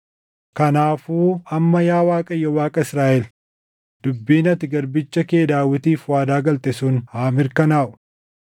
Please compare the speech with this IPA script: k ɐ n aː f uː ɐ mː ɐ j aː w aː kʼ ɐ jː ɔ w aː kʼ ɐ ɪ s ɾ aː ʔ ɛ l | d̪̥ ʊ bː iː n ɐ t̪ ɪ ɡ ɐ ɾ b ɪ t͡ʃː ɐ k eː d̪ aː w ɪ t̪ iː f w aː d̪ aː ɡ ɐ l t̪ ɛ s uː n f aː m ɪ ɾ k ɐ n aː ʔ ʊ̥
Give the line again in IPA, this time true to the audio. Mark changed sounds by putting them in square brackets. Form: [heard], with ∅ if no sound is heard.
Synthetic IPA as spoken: k ɐ n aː f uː ɐ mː ɐ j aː w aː kʼ ɐ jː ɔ w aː kʼ ɐ ɪ s ɾ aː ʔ ɛ l | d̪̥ ʊ bː iː n ɐ t̪ ɪ ɡ ɐ ɾ b ɪ t͡ʃː ɐ k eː d̪ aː w ɪ t̪ iː f w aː d̪ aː ɡ ɐ l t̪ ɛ s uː n [h] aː m ɪ ɾ k ɐ n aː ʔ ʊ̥